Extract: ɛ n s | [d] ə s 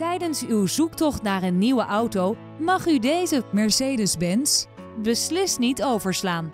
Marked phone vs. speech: incorrect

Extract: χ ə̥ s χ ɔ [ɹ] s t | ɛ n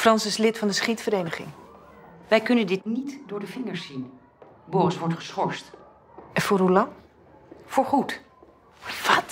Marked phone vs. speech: correct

